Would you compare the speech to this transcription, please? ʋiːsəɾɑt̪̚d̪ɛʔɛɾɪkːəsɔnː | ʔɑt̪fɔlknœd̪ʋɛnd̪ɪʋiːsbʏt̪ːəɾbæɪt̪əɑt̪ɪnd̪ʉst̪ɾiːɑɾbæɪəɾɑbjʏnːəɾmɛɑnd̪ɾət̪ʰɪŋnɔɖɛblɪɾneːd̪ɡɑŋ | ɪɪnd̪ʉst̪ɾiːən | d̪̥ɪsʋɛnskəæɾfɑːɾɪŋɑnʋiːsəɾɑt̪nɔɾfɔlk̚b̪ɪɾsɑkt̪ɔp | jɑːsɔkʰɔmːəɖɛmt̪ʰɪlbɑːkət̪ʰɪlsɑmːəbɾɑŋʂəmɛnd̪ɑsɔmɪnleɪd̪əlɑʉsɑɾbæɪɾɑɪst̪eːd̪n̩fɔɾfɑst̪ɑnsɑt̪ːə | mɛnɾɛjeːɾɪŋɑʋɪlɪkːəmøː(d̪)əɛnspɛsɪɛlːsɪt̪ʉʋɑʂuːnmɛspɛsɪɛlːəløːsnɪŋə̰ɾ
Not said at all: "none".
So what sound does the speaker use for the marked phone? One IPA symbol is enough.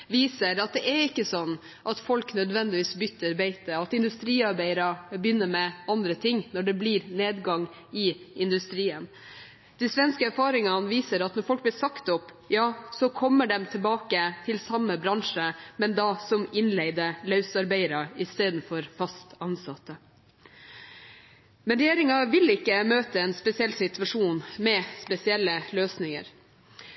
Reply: t̪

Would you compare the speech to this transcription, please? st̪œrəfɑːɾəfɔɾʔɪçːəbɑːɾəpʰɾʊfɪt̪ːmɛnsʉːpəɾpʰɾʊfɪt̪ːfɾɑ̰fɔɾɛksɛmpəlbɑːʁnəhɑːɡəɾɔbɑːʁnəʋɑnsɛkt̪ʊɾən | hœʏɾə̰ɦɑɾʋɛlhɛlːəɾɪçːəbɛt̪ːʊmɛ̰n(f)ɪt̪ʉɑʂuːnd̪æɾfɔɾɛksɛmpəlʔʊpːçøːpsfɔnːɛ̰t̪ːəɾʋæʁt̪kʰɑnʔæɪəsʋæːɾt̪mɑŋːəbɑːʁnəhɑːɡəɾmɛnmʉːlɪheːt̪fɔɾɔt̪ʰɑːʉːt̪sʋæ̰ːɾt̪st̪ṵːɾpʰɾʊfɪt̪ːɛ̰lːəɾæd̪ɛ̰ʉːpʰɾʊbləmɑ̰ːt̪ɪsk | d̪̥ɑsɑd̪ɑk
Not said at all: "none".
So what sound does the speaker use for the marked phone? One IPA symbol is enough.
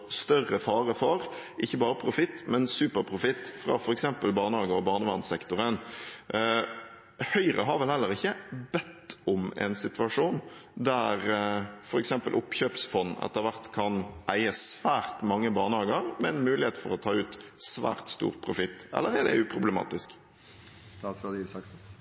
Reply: s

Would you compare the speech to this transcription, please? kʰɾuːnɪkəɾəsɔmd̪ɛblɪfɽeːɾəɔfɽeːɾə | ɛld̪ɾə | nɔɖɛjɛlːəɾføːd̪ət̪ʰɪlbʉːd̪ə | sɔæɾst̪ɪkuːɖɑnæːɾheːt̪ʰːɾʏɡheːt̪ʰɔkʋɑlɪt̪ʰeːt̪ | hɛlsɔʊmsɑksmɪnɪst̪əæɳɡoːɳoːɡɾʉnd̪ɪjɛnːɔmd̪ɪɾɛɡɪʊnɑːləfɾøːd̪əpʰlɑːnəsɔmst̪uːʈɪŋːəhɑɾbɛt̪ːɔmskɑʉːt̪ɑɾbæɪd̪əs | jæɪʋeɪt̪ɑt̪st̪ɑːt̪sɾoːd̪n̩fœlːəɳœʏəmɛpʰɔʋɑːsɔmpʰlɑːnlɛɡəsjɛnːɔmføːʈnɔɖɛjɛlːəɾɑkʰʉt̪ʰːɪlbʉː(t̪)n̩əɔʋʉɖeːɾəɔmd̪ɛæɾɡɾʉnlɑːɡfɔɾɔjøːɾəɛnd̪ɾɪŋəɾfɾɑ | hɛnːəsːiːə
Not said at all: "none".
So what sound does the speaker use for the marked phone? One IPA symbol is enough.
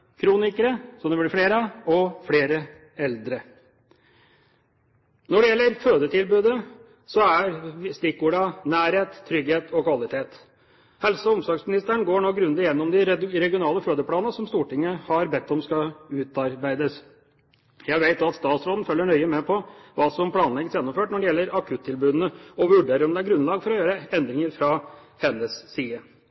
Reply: d̪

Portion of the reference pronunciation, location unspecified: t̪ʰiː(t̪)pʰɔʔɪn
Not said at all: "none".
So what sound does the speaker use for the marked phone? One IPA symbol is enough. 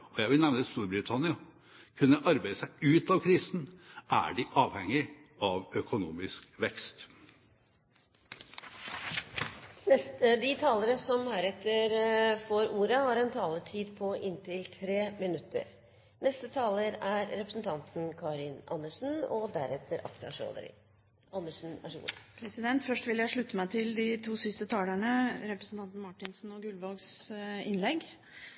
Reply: d̪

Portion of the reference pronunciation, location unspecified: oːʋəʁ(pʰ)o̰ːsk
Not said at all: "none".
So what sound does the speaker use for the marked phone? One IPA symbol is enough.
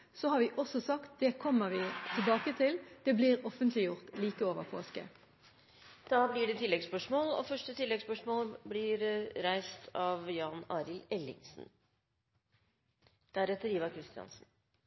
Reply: pʰ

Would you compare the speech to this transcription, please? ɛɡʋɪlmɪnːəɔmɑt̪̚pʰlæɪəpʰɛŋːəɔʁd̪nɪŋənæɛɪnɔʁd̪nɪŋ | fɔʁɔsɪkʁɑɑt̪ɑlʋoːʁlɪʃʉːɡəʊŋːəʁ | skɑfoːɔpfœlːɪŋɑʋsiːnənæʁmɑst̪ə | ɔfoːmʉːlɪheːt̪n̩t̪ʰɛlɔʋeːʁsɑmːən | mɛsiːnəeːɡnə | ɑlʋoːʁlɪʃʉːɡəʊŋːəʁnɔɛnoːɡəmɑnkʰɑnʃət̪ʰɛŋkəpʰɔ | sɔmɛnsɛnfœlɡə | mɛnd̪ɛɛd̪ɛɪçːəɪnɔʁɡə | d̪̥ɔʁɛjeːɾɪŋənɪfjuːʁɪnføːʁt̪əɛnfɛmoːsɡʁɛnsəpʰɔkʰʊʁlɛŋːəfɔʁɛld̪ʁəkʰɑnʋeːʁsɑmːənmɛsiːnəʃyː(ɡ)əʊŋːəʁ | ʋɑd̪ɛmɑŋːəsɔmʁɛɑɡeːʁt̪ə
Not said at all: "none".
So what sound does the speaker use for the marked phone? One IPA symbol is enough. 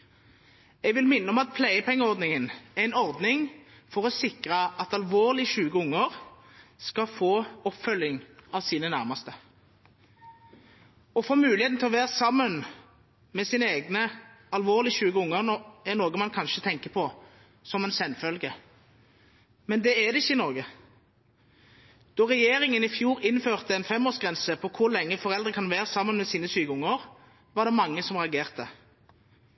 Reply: ɡ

